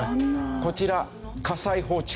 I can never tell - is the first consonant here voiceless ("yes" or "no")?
yes